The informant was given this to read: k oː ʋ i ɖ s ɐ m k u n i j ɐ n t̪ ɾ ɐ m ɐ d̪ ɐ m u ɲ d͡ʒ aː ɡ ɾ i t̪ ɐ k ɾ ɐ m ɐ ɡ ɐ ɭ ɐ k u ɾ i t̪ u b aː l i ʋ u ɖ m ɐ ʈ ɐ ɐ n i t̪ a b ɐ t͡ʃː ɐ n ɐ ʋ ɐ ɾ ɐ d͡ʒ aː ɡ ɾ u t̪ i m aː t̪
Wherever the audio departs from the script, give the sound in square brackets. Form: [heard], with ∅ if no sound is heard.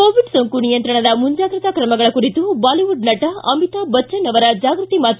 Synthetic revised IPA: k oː ʋ i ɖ s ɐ [ŋ] k u n i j ɐ n t̪ ɾ ɐ [ɳ] ɐ d̪ ɐ m u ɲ d͡ʒ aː ɡ ɾ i t̪ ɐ k ɾ ɐ m ɐ ɡ ɐ ɭ ɐ k u ɾ i t̪ u b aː l i ʋ u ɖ [n] ɐ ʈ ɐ ɐ [m] i t̪ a b ɐ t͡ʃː ɐ n ɐ ʋ ɐ ɾ ɐ d͡ʒ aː ɡ ɾ u t̪ i m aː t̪